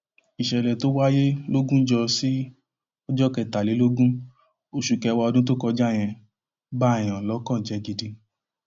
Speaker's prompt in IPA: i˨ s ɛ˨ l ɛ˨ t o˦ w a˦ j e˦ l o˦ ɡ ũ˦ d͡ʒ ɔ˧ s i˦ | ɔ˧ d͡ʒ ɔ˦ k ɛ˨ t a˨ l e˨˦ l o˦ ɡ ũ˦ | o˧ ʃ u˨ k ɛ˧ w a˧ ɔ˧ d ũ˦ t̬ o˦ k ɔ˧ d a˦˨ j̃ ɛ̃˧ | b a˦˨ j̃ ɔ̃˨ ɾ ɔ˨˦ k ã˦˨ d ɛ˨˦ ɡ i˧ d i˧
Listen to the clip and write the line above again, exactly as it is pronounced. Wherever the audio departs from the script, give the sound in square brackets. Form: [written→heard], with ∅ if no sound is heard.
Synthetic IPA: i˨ [s→ʃ] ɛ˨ l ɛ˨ t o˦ w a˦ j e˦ l o˦ ɡ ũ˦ d͡ʒ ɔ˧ s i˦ | ɔ˧ d͡ʒ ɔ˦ k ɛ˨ t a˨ l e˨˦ l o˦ ɡ ũ˦ | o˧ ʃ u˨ k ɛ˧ w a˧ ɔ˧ d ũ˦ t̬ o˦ k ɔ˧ [d→d͡ʒ] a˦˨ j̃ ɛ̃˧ | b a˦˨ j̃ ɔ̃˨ [ɾ→l] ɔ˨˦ k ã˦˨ [d→d͡ʒ] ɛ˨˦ ɡ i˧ d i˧